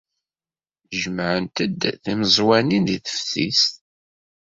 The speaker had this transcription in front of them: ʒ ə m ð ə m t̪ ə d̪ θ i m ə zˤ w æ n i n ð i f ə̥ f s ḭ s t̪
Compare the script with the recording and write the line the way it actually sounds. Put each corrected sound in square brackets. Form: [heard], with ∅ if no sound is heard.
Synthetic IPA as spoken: ʒ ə m [ʕ] ə [n] t̪ ə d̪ θ i m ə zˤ w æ n i n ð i [θ] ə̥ f [θ] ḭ s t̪